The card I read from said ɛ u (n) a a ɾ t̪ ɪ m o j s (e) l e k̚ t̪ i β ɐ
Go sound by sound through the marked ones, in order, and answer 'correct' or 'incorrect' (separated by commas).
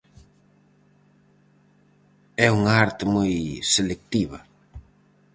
incorrect, correct